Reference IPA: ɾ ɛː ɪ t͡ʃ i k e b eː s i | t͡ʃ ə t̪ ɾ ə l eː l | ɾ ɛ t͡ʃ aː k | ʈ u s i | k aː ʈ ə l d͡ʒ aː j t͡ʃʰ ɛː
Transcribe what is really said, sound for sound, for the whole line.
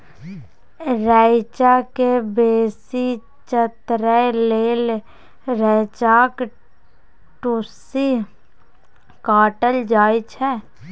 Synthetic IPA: ɾ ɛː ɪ t͡ʃ a k e b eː s i | t͡ʃ ə t̪ ɾ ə l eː l | ɾ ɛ t͡ʃ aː k | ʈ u s i | k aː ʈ ə l d͡ʒ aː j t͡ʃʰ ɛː